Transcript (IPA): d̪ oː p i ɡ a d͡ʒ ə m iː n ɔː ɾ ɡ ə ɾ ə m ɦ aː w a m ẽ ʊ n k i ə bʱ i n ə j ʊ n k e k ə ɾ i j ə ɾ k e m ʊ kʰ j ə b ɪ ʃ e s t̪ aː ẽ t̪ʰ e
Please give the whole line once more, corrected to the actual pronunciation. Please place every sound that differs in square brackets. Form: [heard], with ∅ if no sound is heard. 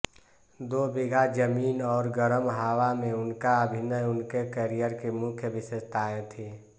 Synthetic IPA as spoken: d̪ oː [b] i ɡ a d͡ʒ ə m iː n ɔː ɾ ɡ ə ɾ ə m ɦ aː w a m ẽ ʊ n k [a] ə bʱ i n ə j ʊ n k e k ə ɾ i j ə ɾ k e m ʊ kʰ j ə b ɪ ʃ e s t̪ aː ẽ t̪ʰ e